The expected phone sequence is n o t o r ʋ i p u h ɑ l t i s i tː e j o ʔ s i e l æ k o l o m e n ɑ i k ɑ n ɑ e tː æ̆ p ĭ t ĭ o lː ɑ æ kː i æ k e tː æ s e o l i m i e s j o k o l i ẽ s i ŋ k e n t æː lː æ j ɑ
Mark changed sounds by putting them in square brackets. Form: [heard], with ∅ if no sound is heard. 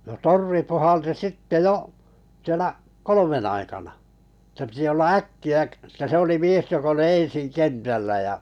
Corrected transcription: n o t o r ʋ i p u h ɑ l t i s i tː e j o ʔ s i e l æ k o l o m e n ɑ i k ɑ n ɑ e tː æ̆ p ĭ t ĭ o lː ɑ æ kː i æ k e tː æ s e o l i m i e s j o k o l i ẽ s i ŋ k e n t [æ] lː æ j ɑ